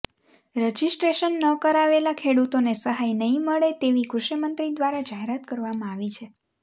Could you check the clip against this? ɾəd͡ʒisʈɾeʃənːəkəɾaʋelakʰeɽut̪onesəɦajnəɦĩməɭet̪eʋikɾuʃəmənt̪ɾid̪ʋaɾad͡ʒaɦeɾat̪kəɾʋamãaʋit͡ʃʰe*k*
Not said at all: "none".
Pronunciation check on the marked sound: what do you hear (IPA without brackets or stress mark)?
none